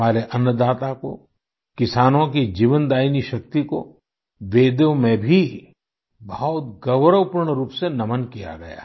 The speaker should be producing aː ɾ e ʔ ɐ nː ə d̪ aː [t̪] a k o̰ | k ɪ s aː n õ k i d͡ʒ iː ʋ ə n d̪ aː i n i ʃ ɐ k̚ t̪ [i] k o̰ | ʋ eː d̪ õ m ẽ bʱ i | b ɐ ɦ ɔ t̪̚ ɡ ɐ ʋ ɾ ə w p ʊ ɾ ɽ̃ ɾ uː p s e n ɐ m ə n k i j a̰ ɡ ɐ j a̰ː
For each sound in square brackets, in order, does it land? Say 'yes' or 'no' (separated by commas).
yes, yes